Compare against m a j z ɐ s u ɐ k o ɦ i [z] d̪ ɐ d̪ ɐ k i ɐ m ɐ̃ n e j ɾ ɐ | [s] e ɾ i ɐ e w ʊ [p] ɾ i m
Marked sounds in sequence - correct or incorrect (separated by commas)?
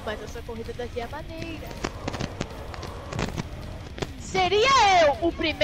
incorrect, correct, correct